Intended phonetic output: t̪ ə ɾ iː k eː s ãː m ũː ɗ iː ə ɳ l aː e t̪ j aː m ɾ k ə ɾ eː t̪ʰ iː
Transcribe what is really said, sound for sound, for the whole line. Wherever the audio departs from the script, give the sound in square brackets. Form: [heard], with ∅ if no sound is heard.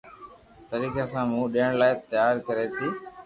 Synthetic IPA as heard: t̪ ə ɾ iː k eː s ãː m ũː ɗ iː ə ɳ l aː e t̪ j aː [∅] ɾ k ə ɾ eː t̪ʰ iː